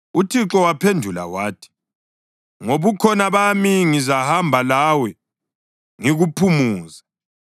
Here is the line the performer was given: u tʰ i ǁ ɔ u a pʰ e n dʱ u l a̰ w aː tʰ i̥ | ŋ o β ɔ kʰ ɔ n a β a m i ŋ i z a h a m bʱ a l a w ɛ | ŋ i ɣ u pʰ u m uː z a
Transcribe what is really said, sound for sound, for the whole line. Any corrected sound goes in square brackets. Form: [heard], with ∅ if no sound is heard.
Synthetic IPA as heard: u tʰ i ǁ ɔ [w] a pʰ e n dʱ u l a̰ w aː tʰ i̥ | ŋ o β [u] kʰ ɔ n a β a m i ŋ i z a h a m bʱ a l a w ɛ | ŋ i ɣ u pʰ u m uː z a